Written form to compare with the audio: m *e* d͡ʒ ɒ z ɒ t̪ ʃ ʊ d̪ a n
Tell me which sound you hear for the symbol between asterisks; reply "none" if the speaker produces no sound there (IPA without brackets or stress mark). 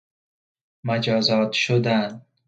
a